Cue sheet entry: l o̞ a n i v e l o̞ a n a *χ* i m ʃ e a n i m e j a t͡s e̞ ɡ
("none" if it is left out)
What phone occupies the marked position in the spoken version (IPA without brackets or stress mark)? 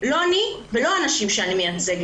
ʃ